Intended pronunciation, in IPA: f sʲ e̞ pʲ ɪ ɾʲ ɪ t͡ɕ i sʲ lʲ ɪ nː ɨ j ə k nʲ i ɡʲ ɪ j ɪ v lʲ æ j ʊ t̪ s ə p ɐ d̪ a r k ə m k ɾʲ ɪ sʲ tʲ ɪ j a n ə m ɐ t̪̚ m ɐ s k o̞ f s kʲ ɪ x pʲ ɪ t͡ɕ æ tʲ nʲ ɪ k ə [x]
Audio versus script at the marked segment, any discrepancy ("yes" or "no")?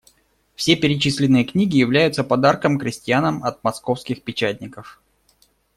yes